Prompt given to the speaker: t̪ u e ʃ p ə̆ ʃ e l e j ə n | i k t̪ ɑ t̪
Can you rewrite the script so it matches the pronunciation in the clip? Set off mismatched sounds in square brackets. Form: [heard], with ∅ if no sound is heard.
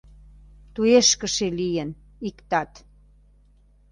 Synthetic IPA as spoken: t̪ u e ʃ [k] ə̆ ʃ e l [i] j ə n | i k t̪ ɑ t̪